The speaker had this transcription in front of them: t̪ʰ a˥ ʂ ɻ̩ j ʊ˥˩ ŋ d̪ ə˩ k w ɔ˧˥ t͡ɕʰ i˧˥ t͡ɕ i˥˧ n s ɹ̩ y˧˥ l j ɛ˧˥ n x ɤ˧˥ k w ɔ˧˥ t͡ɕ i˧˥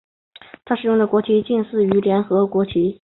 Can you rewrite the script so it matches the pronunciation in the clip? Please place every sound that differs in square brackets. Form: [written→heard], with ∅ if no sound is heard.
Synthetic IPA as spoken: t̪ʰ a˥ ʂ ɻ̩ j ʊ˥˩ ŋ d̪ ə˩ k w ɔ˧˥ t͡ɕʰ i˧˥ t͡ɕ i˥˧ n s ɹ̩ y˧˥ l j ɛ˧˥ n x ɤ˧˥ k w ɔ˧˥ [t͡ɕ→t͡ɕʰ] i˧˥